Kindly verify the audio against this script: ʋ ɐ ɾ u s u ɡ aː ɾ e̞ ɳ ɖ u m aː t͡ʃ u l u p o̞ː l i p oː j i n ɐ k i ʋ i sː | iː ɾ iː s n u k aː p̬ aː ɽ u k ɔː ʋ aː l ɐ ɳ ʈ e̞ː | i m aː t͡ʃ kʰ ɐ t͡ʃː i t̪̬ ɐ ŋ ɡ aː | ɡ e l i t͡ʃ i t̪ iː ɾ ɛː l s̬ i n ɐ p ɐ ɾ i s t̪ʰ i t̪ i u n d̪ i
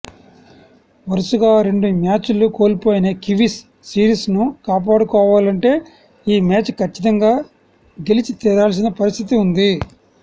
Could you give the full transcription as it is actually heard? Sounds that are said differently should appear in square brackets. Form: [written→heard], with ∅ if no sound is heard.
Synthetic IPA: ʋ ɐ ɾ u s u ɡ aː ɾ e̞ ɳ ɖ u m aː t͡ʃ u l u [p→k] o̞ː l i p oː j i n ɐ k i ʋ i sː | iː ɾ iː s n u k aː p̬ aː ɽ u k ɔː ʋ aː l ɐ ɳ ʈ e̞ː | [i→iː] m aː t͡ʃ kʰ ɐ t͡ʃː i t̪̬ ɐ ŋ ɡ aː | ɡ e l i t͡ʃ i t̪ iː ɾ [ɛː→aː] l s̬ i n ɐ p ɐ ɾ i s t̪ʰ i t̪ i u n d̪ i

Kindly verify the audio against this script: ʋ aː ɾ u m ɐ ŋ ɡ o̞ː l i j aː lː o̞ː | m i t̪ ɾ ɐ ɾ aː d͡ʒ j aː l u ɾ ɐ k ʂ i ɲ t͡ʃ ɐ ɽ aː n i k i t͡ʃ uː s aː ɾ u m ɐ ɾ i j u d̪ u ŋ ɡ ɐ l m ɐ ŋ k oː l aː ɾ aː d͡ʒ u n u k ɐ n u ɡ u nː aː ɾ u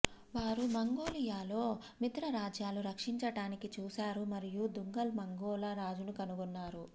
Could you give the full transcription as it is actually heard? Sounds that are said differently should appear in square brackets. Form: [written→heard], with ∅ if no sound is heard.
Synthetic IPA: ʋ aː ɾ u m ɐ ŋ ɡ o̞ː l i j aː [lː→l] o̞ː | m i t̪ ɾ ɐ ɾ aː d͡ʒ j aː l u ɾ ɐ k ʂ i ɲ t͡ʃ ɐ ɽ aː n i k i t͡ʃ uː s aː ɾ u m ɐ ɾ i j u d̪ u ŋ ɡ ɐ l m ɐ ŋ [k→ɡ] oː l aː ɾ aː d͡ʒ u n u k ɐ n u ɡ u nː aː ɾ u

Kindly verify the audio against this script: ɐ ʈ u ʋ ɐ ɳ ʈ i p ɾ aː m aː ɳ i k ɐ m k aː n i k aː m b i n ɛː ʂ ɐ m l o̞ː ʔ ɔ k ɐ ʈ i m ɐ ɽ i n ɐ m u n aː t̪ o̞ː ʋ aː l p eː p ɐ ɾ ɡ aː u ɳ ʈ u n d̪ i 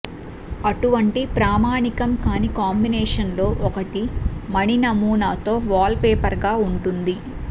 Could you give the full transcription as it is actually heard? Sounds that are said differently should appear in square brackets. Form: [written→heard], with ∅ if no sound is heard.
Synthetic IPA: ɐ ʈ u ʋ ɐ ɳ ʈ i p ɾ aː m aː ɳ i k ɐ m k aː n i k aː m b i n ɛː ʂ ɐ [m→n] l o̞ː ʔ ɔ k ɐ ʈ i m ɐ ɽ i n ɐ m [u→uː] n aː t̪ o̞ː ʋ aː l p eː p ɐ ɾ ɡ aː u ɳ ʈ u n d̪ i

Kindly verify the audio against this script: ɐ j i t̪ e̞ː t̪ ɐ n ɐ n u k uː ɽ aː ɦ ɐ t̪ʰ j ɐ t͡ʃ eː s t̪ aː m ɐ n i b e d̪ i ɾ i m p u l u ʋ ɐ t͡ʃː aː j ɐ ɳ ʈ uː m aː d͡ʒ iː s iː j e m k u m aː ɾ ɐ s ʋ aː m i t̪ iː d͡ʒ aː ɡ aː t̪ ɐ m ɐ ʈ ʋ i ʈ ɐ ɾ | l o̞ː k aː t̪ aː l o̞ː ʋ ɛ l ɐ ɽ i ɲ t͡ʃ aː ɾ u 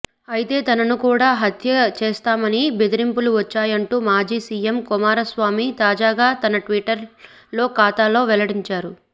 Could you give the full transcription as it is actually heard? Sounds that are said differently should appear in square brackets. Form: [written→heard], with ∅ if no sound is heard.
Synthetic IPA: ɐ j i t̪ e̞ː t̪ ɐ n ɐ n u k uː ɽ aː ɦ ɐ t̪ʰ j ɐ t͡ʃ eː s t̪ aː m ɐ n i b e d̪ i ɾ i m p u l u ʋ ɐ t͡ʃː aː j ɐ ɳ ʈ uː m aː d͡ʒ iː s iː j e m k u m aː ɾ ɐ s ʋ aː m i t̪ [iː→aː] d͡ʒ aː ɡ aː t̪ ɐ [m→n] ɐ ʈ ʋ i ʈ ɐ ɾ | l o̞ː k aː t̪ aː l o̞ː ʋ ɛ l ɐ ɽ i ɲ t͡ʃ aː ɾ u

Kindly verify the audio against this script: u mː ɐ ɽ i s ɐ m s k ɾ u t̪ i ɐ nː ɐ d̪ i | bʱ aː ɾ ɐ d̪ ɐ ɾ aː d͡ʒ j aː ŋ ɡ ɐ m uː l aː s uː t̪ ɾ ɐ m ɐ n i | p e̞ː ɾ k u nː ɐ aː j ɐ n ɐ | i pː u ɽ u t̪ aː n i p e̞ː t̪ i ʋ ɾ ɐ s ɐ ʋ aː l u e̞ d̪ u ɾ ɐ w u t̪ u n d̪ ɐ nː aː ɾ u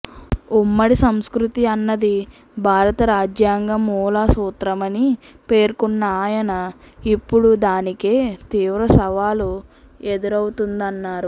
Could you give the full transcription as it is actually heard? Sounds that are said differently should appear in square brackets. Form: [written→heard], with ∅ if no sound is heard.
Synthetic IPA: u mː ɐ ɽ i s ɐ m s k ɾ u t̪ i ɐ nː ɐ d̪ i | bʱ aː ɾ ɐ [d̪→t̪] ɐ ɾ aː d͡ʒ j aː ŋ ɡ ɐ m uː l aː s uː t̪ ɾ ɐ m ɐ n i | p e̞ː ɾ k u nː ɐ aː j ɐ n ɐ | i pː u ɽ u [t̪→d̪] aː n i [p→k] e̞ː t̪ [i→iː] ʋ ɾ ɐ s ɐ ʋ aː l u e̞ d̪ u ɾ ɐ w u t̪ u n d̪ ɐ nː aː ɾ u

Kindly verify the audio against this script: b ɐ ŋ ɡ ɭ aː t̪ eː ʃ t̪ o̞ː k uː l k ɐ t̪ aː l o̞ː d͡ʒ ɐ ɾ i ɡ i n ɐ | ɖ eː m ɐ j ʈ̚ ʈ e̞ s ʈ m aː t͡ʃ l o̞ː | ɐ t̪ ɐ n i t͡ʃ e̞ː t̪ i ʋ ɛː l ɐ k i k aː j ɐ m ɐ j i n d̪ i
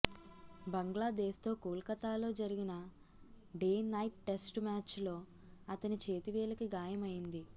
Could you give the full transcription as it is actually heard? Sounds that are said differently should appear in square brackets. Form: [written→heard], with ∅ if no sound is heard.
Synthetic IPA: b ɐ ŋ ɡ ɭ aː [t̪→d̪] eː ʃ t̪ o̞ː k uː l k ɐ t̪ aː l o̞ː d͡ʒ ɐ ɾ i ɡ i n ɐ | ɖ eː [m→n] ɐ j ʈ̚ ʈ e̞ s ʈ m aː t͡ʃ l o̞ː | ɐ t̪ ɐ n i t͡ʃ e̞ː t̪ i ʋ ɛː l ɐ k i [k→ɡ] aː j ɐ m ɐ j i n d̪ i

